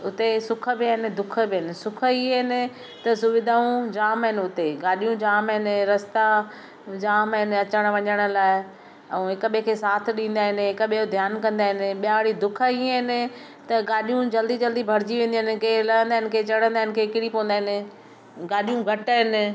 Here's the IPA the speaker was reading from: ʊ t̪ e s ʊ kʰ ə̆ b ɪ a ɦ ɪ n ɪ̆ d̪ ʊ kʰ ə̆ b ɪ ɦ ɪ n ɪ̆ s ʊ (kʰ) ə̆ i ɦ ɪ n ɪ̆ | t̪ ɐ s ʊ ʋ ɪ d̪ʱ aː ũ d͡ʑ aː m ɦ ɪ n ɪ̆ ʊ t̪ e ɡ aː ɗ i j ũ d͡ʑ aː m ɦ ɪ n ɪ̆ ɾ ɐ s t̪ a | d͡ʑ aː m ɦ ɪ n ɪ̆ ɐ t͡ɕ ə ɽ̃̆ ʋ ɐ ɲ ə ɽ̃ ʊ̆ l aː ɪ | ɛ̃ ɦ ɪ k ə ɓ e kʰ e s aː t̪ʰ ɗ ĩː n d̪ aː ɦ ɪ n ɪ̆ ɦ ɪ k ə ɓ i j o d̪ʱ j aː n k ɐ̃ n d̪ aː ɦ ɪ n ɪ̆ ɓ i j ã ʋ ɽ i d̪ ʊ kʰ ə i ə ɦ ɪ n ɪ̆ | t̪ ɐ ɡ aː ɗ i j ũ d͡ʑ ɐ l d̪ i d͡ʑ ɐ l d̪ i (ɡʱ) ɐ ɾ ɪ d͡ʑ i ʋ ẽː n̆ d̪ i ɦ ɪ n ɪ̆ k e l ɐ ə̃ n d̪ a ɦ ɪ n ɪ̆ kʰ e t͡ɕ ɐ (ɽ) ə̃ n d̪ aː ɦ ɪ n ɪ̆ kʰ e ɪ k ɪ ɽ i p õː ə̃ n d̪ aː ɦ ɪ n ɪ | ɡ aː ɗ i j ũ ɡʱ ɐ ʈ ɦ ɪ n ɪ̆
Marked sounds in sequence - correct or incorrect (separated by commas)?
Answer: correct, incorrect, correct